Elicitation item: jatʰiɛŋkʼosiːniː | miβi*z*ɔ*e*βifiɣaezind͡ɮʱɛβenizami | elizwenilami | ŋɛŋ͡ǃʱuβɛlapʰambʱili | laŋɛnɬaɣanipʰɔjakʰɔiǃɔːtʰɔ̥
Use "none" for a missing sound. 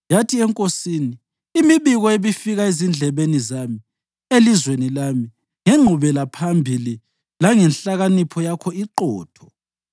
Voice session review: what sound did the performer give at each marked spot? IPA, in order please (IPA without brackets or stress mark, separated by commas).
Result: ɣ, e